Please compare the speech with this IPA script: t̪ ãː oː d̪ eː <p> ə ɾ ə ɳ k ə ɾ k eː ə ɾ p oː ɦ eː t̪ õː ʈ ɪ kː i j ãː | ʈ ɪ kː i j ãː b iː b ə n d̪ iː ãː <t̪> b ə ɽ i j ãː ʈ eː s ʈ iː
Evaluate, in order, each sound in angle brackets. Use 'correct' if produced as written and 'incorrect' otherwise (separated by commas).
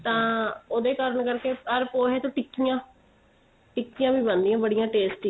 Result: incorrect, incorrect